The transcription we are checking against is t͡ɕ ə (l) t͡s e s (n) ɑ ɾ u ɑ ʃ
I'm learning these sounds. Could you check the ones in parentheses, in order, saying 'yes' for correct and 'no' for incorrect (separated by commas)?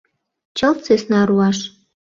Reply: yes, yes